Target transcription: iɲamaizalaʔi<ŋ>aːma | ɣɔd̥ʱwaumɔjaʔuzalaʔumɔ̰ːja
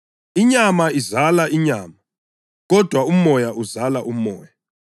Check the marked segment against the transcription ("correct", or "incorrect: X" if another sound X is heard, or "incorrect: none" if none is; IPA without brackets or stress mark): incorrect: ɲ